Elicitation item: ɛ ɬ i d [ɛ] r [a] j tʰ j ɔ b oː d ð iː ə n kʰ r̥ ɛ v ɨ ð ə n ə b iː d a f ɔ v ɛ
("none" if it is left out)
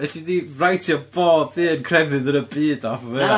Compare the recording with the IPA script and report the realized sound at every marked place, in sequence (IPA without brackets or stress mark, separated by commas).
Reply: i, a